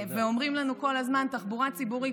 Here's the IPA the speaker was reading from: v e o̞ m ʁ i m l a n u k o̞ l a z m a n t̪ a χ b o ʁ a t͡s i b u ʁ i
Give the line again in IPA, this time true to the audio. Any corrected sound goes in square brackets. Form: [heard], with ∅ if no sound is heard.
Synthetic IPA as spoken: v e o̞ m ʁ i m l a n u k o̞ l a z m a n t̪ a χ b [u] ʁ a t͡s i b u ʁ i